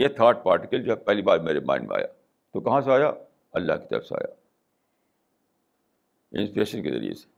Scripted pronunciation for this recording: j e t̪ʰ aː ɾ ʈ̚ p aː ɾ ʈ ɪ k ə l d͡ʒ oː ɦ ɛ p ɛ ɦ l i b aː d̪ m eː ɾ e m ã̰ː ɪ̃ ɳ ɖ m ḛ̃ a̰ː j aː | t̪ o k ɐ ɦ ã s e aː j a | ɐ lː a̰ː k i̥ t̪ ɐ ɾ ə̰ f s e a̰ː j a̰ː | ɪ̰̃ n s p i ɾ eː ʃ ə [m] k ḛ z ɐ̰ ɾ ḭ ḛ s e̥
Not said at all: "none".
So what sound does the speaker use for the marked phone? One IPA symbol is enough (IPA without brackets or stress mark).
n